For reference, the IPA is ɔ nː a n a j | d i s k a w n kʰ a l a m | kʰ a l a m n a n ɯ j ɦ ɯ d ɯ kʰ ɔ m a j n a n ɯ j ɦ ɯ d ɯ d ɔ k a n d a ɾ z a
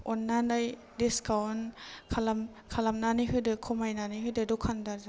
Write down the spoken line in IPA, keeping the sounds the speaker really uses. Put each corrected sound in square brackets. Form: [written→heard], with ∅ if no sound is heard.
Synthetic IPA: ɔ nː a n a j | d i s k a w n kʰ a l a m | kʰ a l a m n a n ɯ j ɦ ɯ d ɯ kʰ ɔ m a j n a n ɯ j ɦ ɯ d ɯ d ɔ [k→kʰ] a n d a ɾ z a